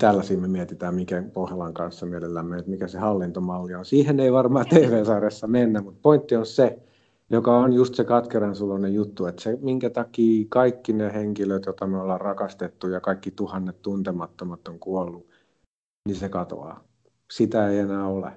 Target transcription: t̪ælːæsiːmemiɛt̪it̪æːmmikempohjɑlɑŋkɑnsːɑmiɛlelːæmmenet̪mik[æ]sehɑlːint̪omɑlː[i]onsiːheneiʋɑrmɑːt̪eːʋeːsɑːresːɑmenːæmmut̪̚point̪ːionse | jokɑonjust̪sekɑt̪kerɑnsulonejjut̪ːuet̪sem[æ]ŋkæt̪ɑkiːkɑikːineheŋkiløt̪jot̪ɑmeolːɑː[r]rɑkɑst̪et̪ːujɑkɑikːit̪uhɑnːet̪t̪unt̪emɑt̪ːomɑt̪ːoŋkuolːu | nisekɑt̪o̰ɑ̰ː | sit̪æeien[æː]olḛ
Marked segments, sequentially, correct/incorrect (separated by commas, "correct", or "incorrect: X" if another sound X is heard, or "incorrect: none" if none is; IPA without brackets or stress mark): correct, correct, incorrect: i, correct, correct